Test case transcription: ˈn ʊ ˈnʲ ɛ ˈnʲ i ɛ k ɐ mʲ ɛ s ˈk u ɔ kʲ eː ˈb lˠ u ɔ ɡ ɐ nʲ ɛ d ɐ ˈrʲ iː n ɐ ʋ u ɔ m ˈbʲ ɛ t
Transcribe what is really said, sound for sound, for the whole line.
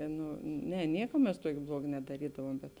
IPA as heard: ˈn ʊ ˈnʲ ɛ ˈnʲ i ɛ k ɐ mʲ ɛ s ˈt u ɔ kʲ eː ˈb lˠ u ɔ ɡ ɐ nʲ ɛ d ɐ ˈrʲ iː d ɐ ʋ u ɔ m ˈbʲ ɛ t